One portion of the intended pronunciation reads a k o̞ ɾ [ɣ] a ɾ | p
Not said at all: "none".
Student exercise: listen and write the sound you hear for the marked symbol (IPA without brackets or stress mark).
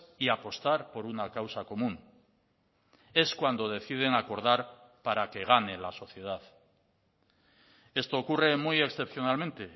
ð